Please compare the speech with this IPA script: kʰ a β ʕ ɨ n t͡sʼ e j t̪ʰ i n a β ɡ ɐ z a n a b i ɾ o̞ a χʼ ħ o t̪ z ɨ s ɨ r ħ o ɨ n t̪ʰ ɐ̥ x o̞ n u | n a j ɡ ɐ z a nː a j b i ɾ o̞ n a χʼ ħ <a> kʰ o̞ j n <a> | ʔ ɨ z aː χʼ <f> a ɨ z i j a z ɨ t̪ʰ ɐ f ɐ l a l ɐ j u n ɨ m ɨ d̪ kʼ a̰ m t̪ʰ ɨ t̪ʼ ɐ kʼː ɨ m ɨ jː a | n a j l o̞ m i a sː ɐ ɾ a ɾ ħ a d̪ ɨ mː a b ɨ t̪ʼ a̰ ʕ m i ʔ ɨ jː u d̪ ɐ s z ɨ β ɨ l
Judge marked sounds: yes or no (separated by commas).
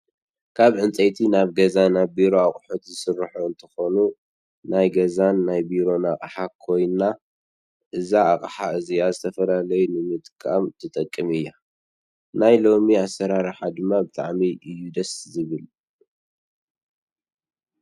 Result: yes, yes, no